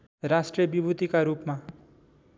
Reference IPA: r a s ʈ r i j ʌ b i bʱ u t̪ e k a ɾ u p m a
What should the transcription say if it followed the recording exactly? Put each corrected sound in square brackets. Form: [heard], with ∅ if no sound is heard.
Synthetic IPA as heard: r a s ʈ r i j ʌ b i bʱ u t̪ [i] k a ɾ u p m a